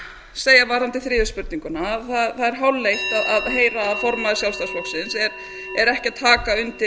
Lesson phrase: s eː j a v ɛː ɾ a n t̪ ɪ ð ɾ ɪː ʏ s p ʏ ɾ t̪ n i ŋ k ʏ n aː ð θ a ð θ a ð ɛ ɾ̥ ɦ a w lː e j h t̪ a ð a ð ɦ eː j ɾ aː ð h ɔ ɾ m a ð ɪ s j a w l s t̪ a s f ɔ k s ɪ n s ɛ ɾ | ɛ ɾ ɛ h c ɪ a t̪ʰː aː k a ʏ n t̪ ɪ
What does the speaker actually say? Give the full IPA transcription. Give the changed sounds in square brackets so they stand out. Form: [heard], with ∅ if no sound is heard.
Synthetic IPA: s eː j a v [aː] ɾ a n t̪ ɪ [θ] ɾ ɪː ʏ s p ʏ ɾ t̪ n i ŋ k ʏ n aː ð θ a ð θ a ð ɛ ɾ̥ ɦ a w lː e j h t̪ a ð a ð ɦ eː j ɾ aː ð [f] ɔ ɾ m a ð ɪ s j a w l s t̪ a s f ɔ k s ɪ n s ɛ ɾ | ɛ ɾ ɛ h c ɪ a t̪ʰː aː k a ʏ n t̪ ɪ